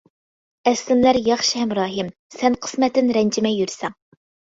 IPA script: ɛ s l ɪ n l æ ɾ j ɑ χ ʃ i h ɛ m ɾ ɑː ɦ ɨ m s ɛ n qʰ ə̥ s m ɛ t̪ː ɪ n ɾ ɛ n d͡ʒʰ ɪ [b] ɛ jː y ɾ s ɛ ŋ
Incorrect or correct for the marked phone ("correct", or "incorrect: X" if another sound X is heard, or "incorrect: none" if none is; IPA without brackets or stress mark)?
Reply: incorrect: m